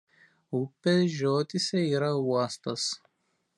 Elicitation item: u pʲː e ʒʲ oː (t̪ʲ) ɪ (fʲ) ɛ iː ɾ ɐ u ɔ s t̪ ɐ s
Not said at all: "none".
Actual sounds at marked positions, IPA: t̪ʲ, sʲ

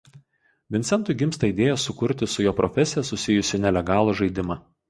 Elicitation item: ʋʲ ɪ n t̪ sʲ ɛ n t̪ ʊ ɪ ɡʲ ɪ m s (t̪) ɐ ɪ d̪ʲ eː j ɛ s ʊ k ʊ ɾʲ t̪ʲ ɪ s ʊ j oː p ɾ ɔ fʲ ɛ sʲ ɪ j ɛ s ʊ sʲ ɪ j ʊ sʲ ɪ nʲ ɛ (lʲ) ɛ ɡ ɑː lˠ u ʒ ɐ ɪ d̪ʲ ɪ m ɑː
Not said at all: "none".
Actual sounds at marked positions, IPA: t̪, lʲ

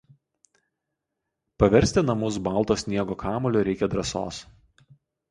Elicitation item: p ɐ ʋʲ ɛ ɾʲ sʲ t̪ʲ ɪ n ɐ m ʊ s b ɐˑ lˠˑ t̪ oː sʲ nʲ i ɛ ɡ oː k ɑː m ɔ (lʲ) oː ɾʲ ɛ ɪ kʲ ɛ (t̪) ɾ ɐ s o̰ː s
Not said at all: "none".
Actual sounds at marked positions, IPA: lʲ, d̪

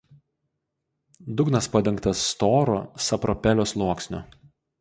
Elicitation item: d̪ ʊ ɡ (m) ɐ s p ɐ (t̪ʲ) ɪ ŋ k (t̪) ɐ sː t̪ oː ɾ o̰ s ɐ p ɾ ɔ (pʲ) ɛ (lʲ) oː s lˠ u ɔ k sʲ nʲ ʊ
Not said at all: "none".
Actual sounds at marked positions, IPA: n, d̪ʲ, t̪, pʲ, lʲ

